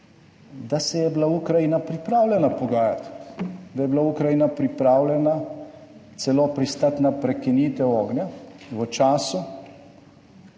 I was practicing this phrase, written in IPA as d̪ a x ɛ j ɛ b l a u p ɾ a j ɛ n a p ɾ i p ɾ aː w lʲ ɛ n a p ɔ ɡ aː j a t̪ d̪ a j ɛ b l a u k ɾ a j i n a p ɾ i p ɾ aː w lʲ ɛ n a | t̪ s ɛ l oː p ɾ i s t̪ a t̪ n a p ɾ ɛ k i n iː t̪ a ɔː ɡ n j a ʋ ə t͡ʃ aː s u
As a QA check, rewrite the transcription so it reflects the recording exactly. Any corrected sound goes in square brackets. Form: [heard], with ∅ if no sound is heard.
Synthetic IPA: d̪ a [s] ɛ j ɛ b l a u [k] ɾ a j [i] n a p ɾ i p ɾ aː w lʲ ɛ n a p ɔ ɡ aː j a t̪ d̪ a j ɛ b l a u k ɾ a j i n a p ɾ i p ɾ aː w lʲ ɛ n a | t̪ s ɛ l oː p ɾ i s t̪ a t̪ n a p ɾ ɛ k i n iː t̪ [ɛ] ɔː ɡ n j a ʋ ə t͡ʃ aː s u